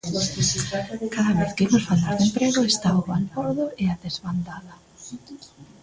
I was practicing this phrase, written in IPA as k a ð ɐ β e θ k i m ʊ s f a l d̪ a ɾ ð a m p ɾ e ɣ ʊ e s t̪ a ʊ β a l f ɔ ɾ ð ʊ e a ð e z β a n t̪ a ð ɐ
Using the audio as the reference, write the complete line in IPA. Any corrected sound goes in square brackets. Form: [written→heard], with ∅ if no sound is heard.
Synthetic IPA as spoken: k a ð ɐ β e θ k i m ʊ s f a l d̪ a ɾ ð [a→e] m p ɾ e ɣ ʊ e s t̪ a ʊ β a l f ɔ ɾ ð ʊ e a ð e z β a n [t̪→d̪] a ð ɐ